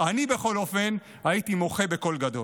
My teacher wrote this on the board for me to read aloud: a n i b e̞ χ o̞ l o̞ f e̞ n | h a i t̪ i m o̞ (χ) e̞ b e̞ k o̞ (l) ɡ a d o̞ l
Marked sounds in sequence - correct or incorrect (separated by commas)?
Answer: correct, correct